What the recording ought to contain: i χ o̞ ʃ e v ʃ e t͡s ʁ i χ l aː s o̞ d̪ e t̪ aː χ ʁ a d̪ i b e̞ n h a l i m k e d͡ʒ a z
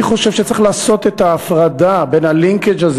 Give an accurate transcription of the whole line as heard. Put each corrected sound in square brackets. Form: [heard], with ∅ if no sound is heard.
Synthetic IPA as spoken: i χ o̞ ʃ e v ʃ e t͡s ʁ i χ l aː s o̞ [t̪] e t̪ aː [f] ʁ a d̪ [a] b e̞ n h a l i [ŋ] k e d͡ʒ a z

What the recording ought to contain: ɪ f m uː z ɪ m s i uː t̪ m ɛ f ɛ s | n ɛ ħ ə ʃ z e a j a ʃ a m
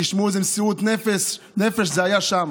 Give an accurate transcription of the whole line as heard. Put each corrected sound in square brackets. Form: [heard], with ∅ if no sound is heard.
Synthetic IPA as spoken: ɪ [ʃ] m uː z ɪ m s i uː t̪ [n] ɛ f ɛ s | n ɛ [f] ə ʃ z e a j a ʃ a m

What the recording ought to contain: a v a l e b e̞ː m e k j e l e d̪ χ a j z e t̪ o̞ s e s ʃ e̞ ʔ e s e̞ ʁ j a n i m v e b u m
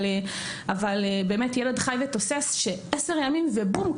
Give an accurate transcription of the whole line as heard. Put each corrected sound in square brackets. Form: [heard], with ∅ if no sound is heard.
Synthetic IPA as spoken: a v a l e b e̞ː m e [t] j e l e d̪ χ a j [v] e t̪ o̞ s e s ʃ e̞ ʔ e s e̞ ʁ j a [m] i m v e b u m

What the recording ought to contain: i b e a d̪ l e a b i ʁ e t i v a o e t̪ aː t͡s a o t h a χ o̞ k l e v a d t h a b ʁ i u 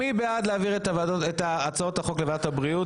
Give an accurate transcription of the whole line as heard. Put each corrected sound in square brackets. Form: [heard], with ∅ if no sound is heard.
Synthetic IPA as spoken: i b e a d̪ l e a [v] i ʁ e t [a] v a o e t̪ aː t͡s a o t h a χ o̞ k l e v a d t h a b ʁ i u

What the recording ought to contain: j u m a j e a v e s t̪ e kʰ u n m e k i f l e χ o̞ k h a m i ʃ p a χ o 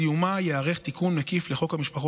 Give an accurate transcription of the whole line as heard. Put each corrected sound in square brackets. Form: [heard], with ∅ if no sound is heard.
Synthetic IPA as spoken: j u m a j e a [ʁ] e [χ] t̪ [i] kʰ u n m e k i f l e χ o̞ k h a m i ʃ p a χ o

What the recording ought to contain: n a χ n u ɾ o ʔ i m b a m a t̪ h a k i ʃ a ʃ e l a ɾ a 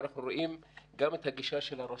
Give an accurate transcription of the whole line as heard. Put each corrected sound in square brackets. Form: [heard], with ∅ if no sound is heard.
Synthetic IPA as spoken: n a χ n u ɾ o ʔ i m [ɡ] a m [e] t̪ h a [ɡ] i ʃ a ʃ e l a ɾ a

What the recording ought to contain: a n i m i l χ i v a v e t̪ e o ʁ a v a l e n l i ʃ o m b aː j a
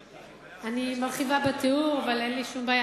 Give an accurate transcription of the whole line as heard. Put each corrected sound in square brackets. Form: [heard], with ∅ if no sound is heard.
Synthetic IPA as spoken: a n i m [a] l χ i v a [b] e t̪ e [u] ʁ a v a l e n l i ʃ [u] m b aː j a

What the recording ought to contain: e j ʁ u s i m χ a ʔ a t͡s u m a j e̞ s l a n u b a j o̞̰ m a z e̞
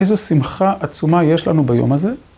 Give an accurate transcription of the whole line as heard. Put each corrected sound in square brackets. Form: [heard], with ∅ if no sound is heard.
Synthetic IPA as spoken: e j [z] u s i m χ a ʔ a t͡s u m a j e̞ [ʃ] l a n u b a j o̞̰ m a z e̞

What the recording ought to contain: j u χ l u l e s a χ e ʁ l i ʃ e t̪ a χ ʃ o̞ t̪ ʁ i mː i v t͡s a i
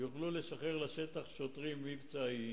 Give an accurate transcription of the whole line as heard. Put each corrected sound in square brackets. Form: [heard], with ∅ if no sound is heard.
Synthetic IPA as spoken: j u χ l u l e [ʃ] a χ e ʁ l [a] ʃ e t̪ a χ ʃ o̞ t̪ ʁ i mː i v t͡s a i

